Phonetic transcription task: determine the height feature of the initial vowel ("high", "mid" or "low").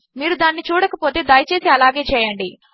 high